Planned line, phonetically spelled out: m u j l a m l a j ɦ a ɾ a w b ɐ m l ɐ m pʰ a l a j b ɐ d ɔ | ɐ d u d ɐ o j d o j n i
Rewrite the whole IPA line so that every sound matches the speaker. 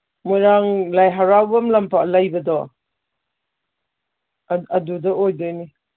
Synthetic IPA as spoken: m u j ɾ a ŋ l a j ɦ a ɾ a w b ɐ m l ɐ m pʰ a l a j b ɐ d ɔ | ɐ d u d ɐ o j d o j n i